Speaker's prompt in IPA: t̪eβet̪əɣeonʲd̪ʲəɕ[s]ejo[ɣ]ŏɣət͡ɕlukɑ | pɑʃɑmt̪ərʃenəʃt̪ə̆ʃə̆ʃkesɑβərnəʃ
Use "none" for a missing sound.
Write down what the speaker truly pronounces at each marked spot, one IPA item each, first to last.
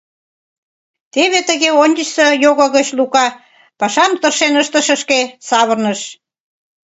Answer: s, ɣ

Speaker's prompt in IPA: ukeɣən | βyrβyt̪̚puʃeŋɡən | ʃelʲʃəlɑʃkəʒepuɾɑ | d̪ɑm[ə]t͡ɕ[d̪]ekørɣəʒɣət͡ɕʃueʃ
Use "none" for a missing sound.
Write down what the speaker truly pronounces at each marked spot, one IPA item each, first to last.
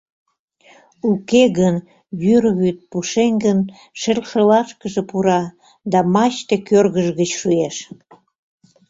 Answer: ɑ, t̪

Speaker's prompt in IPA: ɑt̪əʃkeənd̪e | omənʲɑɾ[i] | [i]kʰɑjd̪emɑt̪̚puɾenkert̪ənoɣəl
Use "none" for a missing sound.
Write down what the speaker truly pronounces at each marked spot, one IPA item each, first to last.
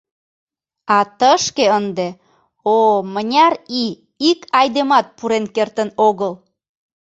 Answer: i, i

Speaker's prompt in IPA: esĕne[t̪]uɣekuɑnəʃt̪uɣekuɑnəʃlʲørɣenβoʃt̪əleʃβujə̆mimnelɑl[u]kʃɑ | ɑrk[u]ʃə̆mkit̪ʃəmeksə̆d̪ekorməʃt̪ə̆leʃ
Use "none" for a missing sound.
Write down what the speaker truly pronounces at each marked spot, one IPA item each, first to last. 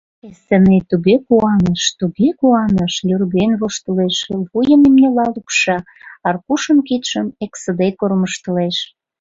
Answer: t̪, u, u

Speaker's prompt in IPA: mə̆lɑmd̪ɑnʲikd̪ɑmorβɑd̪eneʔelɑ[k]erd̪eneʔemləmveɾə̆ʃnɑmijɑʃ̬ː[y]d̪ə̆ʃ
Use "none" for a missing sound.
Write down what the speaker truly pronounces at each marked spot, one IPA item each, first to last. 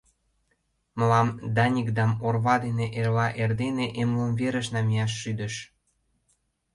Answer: ʔ, y

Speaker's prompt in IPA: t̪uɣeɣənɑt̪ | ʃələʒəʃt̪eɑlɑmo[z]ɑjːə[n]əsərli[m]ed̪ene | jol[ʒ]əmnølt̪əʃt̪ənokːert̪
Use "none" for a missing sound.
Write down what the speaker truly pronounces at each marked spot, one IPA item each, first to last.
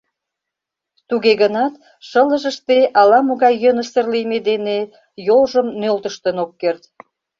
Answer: ɣ, n, m, ʒ

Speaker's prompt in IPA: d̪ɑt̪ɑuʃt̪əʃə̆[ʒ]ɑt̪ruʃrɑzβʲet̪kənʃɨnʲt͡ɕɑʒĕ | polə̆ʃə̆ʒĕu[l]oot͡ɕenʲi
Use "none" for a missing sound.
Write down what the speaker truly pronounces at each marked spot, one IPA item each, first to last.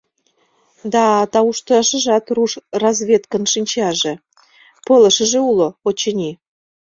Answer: ʒ, l

